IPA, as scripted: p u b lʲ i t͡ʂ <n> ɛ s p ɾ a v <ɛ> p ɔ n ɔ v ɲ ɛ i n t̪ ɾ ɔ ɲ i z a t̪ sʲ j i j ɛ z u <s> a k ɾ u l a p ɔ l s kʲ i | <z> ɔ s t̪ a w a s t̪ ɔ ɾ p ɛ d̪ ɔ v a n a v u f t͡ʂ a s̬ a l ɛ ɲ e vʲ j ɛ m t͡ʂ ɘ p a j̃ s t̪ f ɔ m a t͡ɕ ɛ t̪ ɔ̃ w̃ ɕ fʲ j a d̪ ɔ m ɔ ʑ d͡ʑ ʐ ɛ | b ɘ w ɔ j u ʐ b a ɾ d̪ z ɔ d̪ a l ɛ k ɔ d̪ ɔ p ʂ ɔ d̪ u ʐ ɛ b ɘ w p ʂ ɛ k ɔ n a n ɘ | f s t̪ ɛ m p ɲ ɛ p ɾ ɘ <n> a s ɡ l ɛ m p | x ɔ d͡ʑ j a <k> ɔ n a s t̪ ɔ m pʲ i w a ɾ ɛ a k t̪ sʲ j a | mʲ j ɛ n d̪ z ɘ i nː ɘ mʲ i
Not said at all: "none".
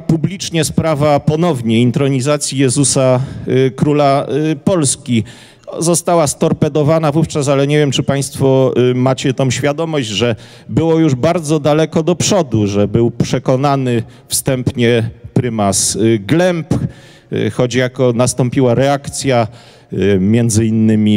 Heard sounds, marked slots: ɲ, a, s, z, m, k

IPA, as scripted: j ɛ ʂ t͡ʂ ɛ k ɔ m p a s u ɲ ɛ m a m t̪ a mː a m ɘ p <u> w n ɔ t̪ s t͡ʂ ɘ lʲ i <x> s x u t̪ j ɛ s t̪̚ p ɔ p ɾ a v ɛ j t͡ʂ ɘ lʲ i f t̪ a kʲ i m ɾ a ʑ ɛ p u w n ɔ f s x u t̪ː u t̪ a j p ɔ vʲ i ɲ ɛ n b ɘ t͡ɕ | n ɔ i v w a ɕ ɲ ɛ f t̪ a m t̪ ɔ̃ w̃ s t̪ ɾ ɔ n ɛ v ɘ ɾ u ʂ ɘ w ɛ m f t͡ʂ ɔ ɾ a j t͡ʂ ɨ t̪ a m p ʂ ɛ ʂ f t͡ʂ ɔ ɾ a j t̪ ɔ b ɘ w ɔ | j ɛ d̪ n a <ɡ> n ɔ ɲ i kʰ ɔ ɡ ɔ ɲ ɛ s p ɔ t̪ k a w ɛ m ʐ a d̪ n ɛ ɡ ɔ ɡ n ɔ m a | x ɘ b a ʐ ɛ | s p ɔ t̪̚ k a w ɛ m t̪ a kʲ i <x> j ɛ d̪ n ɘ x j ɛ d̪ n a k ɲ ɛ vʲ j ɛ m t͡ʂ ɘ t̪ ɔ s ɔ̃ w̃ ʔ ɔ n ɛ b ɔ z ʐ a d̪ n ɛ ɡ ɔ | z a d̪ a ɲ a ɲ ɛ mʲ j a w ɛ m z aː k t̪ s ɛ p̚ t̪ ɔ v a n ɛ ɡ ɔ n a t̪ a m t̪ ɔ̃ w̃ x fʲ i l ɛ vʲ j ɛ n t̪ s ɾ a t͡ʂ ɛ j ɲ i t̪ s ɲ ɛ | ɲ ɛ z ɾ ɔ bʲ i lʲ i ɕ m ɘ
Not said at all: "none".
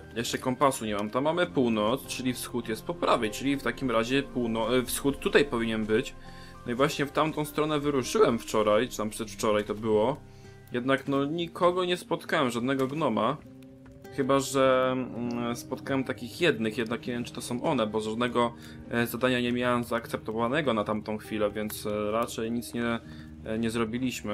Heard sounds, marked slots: u, f, k, x

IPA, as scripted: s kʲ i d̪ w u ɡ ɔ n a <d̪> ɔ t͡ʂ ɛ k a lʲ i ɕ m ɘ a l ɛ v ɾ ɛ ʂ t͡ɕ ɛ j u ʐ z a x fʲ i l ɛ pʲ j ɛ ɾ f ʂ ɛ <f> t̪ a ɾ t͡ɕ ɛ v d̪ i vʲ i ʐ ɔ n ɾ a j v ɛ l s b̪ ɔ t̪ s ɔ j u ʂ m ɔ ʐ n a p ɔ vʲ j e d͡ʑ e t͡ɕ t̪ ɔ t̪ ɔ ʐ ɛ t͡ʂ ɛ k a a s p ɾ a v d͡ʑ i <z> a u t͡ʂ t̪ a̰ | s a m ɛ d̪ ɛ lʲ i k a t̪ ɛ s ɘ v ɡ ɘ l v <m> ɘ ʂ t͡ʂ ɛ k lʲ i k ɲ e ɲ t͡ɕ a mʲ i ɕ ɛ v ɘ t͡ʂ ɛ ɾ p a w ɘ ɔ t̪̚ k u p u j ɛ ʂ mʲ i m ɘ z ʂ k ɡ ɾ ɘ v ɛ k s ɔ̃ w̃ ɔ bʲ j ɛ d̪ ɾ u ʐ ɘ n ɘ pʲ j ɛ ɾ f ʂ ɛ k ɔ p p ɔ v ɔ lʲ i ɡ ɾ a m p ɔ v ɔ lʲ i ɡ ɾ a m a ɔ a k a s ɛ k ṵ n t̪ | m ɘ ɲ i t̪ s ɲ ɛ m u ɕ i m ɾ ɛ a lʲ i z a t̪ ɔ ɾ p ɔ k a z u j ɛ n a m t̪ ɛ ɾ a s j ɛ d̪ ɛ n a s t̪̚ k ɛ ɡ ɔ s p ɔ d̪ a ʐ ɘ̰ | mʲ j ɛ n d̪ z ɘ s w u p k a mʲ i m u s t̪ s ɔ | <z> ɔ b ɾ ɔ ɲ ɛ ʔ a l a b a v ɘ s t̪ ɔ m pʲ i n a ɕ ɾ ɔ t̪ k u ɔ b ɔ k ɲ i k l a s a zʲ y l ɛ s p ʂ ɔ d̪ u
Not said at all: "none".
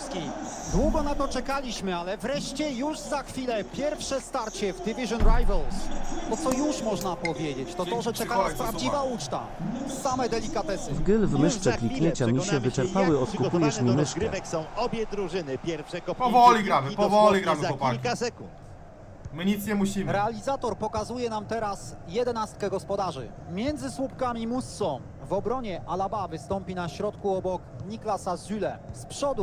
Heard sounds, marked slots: t̪, s, v, m, v

